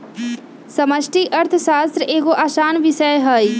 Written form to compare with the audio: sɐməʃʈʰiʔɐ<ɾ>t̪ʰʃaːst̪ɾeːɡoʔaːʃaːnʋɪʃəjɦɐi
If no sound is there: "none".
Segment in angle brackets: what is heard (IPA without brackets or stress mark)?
ɾ